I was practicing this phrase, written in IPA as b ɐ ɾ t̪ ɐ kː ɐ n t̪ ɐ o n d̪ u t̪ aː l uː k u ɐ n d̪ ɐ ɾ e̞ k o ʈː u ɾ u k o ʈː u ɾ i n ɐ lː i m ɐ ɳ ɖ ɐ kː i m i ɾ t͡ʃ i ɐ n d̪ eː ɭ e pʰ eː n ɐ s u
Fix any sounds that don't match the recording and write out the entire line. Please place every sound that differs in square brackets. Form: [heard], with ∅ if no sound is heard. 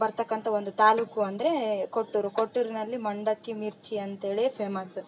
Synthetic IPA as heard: b ɐ ɾ t̪ ɐ kː ɐ n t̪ ɐ o n d̪ u t̪ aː l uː k u ɐ n d̪ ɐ ɾ e̞ k o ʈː u ɾ u k o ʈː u ɾ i n ɐ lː i m ɐ ɳ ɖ ɐ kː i m i ɾ t͡ʃ i ɐ n [t̪] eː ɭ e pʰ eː [m] ɐ s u